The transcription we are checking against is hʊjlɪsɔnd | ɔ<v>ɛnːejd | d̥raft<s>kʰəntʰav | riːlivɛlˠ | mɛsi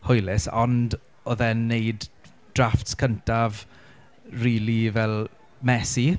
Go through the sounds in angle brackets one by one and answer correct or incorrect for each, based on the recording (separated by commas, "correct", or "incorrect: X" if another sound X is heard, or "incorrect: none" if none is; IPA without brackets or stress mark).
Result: incorrect: ð, correct